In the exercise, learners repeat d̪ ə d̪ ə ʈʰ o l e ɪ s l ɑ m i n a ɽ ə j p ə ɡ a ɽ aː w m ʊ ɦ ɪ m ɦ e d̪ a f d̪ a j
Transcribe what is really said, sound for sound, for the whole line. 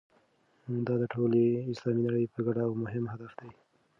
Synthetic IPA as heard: d̪ ɑ d̪ ə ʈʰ o l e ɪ s l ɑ m i n a ɽ ə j p ə ɡ a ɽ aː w m ʊ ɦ ɪ m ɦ a d̪ a f d̪ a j